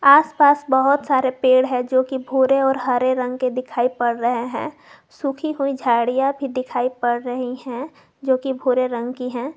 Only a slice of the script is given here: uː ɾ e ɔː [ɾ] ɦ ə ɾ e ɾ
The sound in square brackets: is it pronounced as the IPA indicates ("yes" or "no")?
yes